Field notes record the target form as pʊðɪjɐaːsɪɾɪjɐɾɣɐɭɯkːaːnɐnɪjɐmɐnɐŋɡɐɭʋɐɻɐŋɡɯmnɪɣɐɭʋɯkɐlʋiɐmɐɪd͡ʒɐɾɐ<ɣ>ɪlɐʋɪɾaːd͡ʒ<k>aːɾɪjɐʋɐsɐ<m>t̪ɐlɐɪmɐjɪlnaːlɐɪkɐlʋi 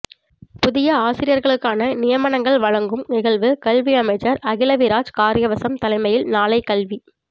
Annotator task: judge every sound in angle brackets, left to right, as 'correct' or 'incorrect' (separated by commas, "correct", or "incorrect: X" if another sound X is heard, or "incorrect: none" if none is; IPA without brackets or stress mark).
correct, correct, correct